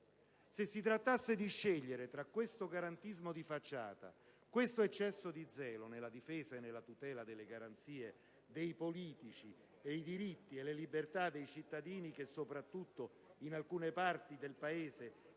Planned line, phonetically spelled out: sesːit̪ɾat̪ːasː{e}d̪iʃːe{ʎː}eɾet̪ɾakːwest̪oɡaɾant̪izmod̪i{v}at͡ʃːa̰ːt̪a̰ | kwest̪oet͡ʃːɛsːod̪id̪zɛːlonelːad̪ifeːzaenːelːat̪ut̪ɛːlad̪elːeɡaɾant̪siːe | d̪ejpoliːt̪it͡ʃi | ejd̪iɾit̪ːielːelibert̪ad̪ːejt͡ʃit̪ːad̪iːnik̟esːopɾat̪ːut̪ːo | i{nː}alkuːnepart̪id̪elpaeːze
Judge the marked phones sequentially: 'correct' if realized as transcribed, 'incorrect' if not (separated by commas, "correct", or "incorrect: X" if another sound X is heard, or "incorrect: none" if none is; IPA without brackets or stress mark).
correct, correct, incorrect: f, incorrect: n